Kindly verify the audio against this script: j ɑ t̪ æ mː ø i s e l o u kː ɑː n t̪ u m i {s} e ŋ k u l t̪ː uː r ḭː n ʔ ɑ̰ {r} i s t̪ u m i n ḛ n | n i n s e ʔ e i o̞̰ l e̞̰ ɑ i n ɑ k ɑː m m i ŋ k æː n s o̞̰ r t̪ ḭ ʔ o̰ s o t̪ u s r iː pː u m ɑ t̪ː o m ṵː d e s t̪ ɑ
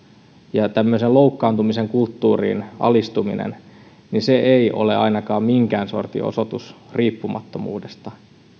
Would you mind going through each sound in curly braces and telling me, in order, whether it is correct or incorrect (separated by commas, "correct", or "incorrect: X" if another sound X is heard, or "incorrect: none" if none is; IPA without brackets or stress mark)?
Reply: correct, incorrect: l